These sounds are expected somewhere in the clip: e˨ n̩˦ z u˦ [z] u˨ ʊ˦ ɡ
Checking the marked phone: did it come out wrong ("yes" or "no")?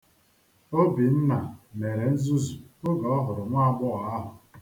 no